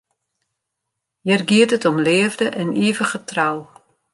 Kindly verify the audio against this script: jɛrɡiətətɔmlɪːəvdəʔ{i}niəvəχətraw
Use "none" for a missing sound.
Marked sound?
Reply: ɛ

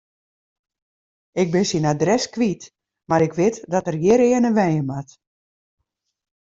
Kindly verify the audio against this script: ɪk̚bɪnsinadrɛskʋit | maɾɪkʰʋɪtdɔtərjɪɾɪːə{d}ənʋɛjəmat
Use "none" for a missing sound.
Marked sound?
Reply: n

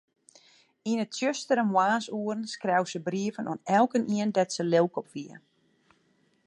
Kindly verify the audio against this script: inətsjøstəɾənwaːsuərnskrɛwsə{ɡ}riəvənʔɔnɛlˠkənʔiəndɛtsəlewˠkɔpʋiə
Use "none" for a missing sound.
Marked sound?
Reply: b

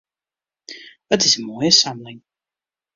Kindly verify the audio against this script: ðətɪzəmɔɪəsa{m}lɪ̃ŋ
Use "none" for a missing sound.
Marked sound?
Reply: m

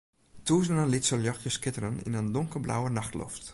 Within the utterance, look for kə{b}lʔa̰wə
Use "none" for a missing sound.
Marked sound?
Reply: b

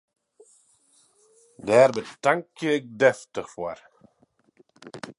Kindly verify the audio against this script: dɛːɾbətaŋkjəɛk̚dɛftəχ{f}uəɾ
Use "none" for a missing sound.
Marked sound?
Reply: f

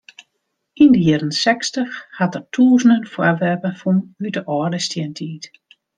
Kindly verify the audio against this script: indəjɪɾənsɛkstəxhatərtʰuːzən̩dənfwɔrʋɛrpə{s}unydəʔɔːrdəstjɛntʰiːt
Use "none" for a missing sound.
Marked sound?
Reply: f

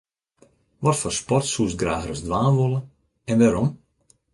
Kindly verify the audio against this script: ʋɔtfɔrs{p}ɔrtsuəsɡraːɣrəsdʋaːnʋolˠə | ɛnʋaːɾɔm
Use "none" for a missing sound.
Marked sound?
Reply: p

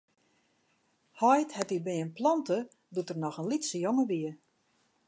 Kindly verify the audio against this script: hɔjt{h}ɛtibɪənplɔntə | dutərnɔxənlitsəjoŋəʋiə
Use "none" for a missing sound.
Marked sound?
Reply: h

